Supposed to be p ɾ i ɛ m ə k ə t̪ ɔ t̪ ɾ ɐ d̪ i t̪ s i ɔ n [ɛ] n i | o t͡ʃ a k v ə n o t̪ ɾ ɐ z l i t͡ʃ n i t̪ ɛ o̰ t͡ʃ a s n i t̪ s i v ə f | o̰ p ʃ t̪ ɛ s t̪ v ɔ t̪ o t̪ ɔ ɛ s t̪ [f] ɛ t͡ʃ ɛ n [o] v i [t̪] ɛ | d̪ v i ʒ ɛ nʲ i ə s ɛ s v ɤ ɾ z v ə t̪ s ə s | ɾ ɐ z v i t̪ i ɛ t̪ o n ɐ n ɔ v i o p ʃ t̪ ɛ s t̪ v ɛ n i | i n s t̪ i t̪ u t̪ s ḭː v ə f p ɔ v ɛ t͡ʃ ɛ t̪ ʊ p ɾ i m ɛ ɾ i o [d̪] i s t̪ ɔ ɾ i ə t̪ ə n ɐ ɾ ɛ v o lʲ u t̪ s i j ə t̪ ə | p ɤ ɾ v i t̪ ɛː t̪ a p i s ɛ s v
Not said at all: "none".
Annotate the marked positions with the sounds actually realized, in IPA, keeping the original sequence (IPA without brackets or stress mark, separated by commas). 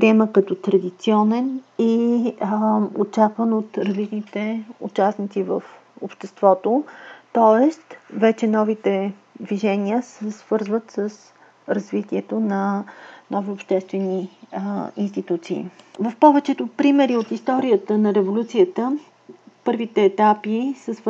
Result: ɛ, v, ɔ, t̪, t̪